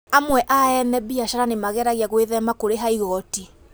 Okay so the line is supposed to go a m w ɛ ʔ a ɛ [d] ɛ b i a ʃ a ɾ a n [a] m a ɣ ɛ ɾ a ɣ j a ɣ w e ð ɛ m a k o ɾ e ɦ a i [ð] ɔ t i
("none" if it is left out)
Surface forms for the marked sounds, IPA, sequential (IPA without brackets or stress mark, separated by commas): n, e, ɣ